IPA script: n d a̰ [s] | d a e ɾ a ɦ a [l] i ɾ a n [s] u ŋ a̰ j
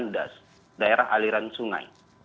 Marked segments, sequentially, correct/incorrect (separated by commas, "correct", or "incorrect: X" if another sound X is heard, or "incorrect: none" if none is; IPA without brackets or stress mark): correct, correct, correct